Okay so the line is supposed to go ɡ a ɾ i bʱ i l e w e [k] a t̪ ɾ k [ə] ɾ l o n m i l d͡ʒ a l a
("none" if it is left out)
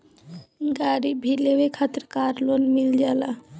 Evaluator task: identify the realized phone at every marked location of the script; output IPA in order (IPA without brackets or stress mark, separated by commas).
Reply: kʰ, a